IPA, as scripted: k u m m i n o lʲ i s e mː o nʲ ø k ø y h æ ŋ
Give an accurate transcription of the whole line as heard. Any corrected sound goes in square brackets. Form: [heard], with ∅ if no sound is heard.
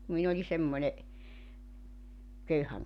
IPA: k u m m i n o lʲ i s e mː o nʲ [e] k ø y h æ ŋ